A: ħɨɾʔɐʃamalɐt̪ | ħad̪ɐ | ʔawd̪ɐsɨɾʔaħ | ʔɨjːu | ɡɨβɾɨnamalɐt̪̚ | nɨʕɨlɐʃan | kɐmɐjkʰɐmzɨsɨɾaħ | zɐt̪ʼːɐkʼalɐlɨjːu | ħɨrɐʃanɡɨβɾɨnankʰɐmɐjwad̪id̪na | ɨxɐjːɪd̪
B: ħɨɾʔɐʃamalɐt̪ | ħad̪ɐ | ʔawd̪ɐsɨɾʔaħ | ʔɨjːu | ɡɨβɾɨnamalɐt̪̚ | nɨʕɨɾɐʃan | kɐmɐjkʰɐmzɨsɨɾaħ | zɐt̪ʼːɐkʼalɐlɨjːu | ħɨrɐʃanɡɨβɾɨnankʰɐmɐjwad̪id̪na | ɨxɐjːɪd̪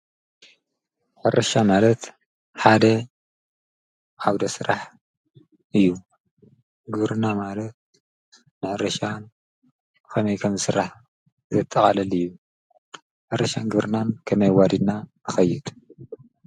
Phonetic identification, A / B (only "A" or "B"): B